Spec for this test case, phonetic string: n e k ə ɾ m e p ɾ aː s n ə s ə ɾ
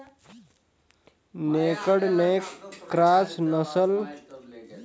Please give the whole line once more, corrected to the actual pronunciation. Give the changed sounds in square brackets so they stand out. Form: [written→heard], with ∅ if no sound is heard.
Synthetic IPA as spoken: n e k ə [ɾ→ɽ] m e [p→k] ɾ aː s n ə s ə [ɾ→l]